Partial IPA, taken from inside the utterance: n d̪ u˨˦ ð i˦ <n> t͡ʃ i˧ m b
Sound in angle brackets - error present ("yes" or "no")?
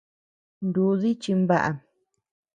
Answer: yes